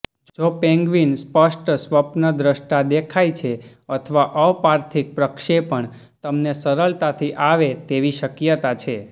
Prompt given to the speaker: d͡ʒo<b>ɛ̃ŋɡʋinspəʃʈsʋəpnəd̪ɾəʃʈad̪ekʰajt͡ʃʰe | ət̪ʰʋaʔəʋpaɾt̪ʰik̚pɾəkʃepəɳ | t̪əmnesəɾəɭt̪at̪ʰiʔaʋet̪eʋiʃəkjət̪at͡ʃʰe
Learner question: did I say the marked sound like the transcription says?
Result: no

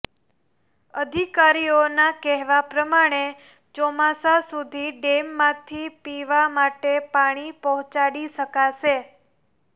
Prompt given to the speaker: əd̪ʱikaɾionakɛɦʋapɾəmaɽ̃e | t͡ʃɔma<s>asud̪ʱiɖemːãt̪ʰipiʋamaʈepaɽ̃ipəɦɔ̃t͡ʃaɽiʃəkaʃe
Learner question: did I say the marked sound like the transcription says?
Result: yes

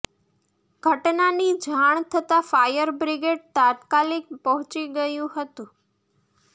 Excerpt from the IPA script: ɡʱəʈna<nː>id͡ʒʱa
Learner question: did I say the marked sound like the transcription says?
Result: no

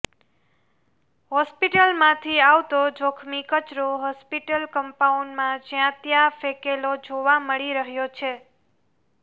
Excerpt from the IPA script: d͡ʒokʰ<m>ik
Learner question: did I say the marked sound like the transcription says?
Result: yes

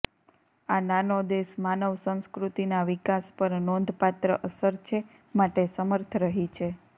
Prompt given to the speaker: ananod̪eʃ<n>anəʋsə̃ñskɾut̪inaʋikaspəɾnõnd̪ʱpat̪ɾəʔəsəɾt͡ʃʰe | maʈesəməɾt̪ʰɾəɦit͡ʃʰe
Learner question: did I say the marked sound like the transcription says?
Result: no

